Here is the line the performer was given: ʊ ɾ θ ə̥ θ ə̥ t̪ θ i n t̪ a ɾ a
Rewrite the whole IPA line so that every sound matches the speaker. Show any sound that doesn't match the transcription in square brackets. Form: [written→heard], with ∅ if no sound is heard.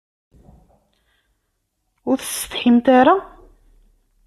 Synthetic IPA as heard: ʊ ɾ θ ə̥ [θ→s] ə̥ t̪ [θ→ħ] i [n→m] t̪ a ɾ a